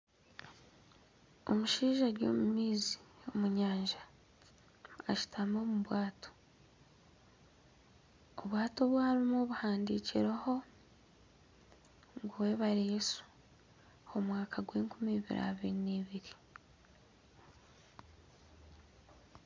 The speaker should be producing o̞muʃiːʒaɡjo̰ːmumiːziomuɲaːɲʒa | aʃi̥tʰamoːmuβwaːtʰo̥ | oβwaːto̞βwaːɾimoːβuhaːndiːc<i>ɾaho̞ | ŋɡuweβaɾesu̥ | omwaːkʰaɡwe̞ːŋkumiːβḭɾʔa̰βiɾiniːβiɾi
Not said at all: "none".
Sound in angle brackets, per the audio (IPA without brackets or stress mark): i